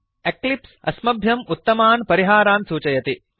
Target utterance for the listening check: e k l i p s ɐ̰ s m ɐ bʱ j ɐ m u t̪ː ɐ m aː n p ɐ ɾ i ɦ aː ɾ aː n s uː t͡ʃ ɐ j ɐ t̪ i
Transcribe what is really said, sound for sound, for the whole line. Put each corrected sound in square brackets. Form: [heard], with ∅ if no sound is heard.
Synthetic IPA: e k l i p s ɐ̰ s m ɐ bʱ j ɐ m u t̪ː ɐ m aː n p ɐ ɾ i ɦ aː ɾ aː n s uː t͡ʃ ɐ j ɐ t̪ i